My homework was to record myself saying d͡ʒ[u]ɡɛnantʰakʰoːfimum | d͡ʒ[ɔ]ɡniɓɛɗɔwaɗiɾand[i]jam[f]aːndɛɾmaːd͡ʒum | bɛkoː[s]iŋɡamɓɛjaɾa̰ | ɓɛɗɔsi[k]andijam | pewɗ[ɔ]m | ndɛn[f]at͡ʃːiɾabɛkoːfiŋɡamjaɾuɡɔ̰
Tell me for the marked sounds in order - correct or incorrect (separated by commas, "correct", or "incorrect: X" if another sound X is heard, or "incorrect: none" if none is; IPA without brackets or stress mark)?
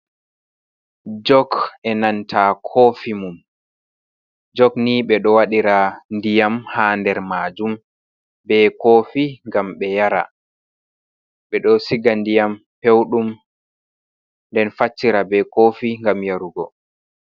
incorrect: ɔ, correct, correct, incorrect: h, incorrect: f, incorrect: ɡ, incorrect: u, correct